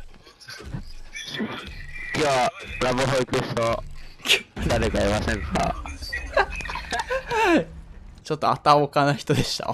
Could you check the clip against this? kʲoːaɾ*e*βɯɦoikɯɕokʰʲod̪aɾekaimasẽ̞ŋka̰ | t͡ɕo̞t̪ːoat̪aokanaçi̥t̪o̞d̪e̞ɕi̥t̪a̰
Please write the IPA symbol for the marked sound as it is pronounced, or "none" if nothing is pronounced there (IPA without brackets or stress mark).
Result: a